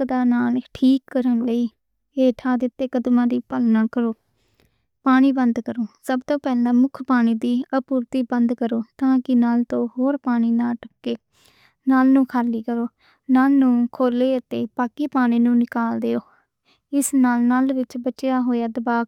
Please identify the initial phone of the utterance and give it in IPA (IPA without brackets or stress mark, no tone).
d̪